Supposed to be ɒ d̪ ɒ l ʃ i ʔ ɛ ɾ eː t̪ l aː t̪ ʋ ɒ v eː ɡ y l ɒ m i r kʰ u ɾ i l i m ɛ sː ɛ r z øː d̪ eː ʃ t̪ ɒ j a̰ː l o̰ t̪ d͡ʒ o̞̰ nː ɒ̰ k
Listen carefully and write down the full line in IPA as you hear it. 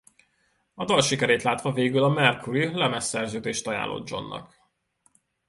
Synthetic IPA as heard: ɒ d̪ ɒ l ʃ i k ɛ ɾ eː t̪ l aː t̪ ʋ ɒ v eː ɡ y l ɒ m ɛ r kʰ u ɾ i l ɛ m ɛ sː ɛ r z øː d̪ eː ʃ t̪ ɒ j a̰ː l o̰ d̪ d͡ʒ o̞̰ nː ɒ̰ k